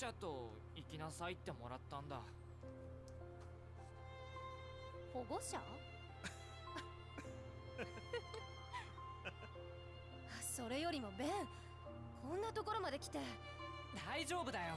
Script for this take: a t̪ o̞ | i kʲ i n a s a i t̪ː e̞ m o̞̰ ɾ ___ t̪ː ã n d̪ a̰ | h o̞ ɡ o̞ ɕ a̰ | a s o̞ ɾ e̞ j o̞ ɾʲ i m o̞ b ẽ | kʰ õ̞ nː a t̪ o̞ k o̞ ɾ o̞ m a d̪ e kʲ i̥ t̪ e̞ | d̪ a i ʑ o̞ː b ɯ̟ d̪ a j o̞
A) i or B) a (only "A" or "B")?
B